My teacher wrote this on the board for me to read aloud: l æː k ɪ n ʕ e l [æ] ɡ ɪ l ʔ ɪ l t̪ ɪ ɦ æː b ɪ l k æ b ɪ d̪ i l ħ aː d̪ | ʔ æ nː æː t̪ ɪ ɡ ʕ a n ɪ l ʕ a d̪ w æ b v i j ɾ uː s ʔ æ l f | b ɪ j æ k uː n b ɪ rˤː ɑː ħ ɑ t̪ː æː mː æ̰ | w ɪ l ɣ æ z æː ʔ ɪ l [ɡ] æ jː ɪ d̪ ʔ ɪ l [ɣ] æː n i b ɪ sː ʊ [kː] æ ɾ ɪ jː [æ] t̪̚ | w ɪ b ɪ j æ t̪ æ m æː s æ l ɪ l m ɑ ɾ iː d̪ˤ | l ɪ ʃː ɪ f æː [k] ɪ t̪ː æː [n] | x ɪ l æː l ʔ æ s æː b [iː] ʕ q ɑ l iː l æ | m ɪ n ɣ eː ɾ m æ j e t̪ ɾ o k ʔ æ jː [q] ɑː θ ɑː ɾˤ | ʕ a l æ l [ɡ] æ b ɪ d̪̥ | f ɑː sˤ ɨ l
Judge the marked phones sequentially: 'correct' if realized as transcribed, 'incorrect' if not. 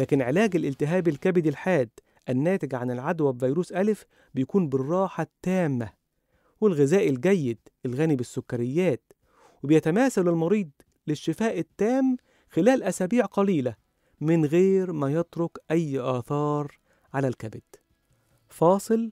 incorrect, correct, correct, correct, incorrect, incorrect, incorrect, correct, incorrect, incorrect

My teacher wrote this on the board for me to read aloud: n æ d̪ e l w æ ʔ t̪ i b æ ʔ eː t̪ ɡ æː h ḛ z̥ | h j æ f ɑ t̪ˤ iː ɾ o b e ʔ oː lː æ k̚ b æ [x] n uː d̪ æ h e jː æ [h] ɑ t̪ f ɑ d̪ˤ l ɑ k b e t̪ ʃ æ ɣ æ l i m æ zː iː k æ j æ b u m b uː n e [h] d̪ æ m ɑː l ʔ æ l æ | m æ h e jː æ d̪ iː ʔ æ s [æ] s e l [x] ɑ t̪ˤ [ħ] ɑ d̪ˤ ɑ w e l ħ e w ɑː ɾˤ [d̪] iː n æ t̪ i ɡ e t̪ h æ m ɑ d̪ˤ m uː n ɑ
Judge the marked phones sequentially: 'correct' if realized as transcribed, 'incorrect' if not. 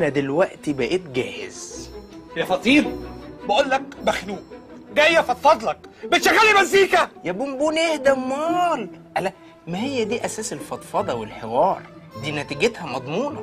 correct, incorrect, correct, incorrect, incorrect, incorrect, correct

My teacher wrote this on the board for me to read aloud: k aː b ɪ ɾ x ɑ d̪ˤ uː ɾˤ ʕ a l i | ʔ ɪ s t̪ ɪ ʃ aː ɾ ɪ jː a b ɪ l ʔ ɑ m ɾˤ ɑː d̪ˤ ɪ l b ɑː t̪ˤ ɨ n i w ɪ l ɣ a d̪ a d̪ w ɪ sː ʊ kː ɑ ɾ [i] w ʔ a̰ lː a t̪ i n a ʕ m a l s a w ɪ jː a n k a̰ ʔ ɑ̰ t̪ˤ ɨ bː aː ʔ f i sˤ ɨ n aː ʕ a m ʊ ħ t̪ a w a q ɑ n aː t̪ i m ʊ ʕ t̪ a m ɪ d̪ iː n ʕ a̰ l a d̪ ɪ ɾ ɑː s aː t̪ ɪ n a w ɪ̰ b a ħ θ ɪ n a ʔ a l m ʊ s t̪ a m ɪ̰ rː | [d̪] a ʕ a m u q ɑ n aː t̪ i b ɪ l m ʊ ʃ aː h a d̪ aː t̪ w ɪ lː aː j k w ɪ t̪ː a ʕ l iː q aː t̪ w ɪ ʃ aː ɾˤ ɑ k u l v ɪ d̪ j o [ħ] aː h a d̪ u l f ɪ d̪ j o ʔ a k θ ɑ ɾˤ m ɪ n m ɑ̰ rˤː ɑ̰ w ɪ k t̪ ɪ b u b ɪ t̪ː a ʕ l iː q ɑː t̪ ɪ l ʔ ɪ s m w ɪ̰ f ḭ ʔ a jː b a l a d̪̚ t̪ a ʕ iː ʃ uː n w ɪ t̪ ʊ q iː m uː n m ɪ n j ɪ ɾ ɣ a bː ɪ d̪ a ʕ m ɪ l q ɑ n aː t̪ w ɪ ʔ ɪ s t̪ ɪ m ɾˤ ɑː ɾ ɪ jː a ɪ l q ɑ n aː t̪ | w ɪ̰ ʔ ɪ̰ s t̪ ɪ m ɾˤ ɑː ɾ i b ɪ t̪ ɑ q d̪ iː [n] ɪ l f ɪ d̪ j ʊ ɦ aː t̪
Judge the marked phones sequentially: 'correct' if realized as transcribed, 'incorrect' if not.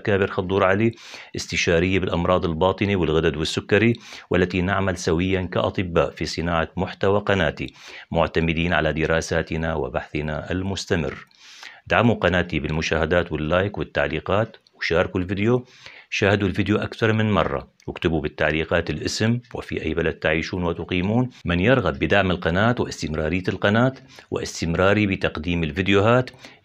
correct, correct, incorrect, incorrect

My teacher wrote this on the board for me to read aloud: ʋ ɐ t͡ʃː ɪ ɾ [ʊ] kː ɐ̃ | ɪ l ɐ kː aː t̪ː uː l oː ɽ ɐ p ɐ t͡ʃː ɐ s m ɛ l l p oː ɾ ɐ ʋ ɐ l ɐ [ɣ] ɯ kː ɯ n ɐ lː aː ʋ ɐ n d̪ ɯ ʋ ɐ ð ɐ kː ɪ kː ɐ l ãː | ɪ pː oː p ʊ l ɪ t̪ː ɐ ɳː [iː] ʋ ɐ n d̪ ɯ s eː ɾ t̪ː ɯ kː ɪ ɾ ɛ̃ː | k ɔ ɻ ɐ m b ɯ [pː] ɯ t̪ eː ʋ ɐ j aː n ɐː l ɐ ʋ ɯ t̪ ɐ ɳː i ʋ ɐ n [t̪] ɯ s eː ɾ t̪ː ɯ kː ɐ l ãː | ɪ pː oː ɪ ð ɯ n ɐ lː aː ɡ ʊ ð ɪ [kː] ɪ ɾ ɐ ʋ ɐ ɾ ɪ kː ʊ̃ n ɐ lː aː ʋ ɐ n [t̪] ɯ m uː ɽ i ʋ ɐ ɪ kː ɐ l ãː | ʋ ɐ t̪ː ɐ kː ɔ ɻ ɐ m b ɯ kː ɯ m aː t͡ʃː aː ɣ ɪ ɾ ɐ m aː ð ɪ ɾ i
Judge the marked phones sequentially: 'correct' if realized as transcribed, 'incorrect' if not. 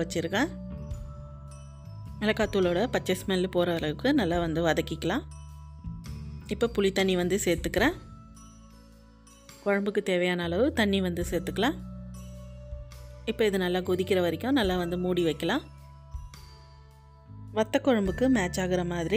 incorrect, correct, incorrect, incorrect, incorrect, correct, incorrect

